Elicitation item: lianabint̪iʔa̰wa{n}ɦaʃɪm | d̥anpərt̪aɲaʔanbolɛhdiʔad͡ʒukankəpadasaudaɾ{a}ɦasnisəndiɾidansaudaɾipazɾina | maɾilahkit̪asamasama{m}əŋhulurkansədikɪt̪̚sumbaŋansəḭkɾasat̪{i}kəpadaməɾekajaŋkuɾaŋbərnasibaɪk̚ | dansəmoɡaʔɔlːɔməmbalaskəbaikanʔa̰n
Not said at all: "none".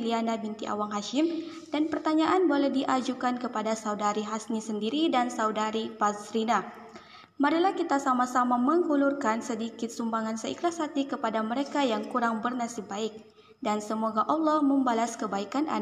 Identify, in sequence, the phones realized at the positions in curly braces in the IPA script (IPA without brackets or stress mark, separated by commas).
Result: ŋ, i, m, i